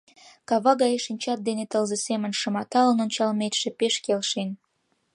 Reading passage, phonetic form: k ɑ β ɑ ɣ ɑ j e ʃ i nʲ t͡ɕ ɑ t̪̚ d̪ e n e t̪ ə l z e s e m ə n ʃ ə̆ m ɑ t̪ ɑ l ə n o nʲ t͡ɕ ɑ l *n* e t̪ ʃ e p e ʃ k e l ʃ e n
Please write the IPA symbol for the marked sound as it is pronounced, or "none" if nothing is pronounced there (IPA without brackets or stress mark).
m